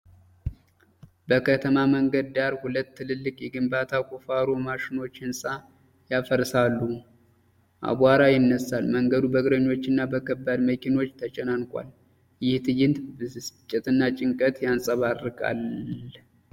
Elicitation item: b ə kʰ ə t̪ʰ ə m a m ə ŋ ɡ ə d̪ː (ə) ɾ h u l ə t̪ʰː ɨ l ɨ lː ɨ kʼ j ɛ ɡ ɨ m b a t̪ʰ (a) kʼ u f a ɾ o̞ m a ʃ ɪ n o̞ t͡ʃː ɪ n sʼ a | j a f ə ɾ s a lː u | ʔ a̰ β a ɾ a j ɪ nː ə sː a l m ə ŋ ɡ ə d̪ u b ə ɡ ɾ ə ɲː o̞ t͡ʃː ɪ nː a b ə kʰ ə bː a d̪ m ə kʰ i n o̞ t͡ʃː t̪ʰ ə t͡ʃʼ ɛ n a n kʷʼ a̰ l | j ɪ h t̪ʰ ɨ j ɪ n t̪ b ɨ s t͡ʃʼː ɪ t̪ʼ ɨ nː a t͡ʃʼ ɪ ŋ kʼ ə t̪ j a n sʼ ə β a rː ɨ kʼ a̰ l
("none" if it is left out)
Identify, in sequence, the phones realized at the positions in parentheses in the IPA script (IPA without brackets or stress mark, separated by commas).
a, a